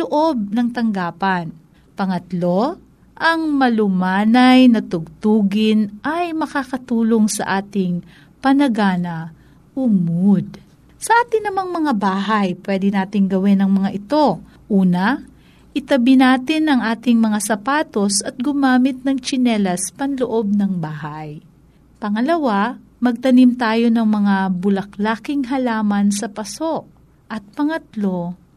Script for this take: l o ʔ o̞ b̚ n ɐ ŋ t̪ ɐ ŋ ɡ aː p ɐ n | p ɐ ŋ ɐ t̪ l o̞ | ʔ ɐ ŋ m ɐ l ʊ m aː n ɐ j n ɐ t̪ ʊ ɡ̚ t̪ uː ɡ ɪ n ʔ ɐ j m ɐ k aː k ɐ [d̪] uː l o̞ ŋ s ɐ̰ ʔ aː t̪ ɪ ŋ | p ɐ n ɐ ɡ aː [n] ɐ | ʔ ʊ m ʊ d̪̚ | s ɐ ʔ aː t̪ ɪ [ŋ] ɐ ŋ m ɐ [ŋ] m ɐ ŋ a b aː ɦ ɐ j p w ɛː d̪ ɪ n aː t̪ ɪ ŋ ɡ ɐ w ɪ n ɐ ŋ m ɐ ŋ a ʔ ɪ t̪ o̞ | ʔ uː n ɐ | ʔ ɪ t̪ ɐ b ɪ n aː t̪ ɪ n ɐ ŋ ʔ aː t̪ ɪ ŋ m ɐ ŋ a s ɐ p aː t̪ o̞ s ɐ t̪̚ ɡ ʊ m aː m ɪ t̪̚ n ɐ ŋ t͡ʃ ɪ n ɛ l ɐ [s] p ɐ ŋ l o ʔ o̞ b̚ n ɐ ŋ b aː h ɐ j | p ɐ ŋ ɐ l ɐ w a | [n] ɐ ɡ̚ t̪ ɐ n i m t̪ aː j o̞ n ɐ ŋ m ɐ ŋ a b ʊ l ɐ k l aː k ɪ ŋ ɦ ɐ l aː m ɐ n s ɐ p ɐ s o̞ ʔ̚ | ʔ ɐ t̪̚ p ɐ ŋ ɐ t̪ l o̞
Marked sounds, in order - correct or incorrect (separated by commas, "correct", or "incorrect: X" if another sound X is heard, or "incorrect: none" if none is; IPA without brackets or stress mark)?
incorrect: t̪, correct, incorrect: n, correct, correct, incorrect: m